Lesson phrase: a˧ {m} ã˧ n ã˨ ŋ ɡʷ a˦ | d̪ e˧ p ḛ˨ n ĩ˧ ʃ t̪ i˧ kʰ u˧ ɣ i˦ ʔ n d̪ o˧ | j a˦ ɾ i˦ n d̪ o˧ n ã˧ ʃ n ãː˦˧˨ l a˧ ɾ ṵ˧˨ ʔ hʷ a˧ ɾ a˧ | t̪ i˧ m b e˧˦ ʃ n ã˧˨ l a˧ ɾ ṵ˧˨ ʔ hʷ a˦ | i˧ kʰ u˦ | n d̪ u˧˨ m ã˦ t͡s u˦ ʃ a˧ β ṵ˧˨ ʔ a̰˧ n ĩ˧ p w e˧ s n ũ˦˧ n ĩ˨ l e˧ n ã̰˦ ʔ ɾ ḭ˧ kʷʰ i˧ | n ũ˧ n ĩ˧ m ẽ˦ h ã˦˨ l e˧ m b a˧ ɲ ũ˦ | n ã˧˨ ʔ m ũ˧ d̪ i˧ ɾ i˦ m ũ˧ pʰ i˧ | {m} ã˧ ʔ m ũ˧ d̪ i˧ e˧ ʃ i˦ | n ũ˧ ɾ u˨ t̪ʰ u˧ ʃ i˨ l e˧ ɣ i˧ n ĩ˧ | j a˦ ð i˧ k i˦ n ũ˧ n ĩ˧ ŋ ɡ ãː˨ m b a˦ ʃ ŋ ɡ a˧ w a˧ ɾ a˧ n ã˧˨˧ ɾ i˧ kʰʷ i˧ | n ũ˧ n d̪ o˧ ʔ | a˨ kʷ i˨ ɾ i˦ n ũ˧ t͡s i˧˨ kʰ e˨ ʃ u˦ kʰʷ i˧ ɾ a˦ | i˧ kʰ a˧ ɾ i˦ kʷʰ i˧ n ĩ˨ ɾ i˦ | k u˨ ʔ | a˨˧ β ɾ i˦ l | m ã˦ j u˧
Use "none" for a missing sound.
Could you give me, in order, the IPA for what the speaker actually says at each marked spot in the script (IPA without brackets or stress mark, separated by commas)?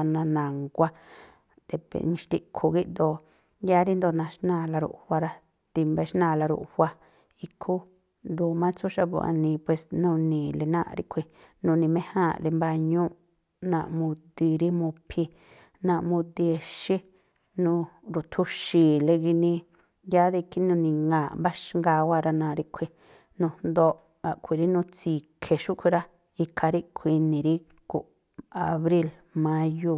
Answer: n, n